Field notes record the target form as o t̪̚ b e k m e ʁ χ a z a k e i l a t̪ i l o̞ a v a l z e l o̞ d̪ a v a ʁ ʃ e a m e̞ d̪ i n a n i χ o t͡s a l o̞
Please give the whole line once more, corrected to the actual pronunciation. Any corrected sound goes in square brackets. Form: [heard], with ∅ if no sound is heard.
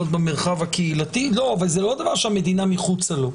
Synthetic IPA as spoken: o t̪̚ b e [∅] m e ʁ χ a [v] a k e i l a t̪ i l o̞ a v a l z e l o̞ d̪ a v a ʁ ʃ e a m e̞ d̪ i n a [m] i χ [u] t͡s a l o̞